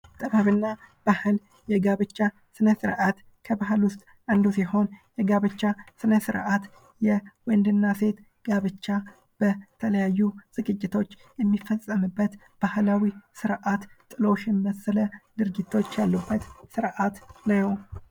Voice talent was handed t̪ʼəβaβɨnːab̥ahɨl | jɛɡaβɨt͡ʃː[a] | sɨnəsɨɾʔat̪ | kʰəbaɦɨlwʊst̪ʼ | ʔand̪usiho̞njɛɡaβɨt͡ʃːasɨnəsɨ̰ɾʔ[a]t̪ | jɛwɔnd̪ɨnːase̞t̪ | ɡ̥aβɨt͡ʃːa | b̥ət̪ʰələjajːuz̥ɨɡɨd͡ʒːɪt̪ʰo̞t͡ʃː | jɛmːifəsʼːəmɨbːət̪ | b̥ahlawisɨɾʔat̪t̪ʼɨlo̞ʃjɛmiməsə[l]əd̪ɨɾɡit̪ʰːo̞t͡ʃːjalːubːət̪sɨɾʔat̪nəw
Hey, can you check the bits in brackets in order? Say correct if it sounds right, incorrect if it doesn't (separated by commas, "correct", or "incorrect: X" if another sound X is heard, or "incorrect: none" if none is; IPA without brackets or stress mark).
correct, correct, correct